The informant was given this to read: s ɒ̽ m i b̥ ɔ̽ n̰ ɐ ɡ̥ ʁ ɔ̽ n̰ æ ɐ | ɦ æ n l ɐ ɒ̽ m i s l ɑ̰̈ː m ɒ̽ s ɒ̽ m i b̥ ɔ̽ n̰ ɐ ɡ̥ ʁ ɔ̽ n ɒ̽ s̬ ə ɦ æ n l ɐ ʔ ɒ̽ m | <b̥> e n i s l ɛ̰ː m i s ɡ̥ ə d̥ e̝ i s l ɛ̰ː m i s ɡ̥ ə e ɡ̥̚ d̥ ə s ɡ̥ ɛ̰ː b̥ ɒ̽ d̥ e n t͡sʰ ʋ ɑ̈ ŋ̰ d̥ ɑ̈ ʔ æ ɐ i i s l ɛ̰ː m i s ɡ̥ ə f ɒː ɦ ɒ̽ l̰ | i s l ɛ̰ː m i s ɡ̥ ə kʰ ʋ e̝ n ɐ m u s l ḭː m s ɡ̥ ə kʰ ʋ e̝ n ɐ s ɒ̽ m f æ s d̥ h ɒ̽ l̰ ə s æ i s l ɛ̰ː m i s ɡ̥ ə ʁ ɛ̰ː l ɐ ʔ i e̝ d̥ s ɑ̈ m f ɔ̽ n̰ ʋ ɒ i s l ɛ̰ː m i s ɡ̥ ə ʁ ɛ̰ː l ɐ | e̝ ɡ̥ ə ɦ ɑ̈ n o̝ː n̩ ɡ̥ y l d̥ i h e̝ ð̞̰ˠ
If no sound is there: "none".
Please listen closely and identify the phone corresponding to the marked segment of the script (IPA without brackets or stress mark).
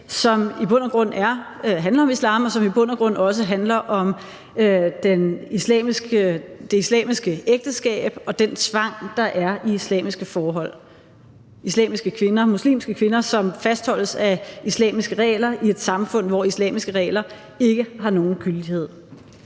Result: d̥